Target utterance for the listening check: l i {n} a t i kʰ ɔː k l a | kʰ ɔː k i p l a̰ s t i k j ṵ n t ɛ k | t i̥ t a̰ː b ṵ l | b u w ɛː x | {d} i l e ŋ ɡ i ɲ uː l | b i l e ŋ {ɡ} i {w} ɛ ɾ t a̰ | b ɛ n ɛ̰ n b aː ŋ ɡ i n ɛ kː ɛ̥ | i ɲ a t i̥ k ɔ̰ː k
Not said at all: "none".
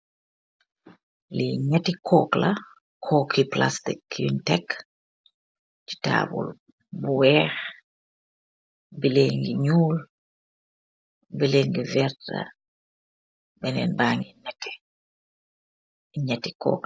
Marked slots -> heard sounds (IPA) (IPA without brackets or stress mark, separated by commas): ɲ, b, ɡ, v